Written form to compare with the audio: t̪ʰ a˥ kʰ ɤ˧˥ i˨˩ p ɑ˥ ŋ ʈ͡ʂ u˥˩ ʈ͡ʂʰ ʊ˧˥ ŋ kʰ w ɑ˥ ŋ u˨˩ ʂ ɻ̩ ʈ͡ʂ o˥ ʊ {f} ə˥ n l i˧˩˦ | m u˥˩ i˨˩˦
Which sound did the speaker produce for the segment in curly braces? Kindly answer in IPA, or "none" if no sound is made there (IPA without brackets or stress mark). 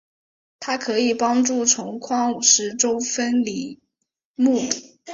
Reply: f